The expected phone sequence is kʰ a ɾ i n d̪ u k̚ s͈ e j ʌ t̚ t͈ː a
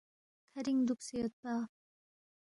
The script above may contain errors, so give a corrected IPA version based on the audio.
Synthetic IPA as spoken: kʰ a ɾ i ŋ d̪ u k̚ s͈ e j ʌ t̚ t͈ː a